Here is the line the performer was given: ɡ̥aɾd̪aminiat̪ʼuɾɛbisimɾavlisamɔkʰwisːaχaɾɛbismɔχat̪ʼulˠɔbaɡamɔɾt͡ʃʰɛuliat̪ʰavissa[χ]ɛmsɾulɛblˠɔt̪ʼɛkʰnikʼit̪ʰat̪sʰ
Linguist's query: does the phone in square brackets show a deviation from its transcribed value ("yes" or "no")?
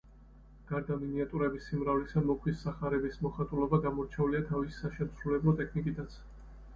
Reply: yes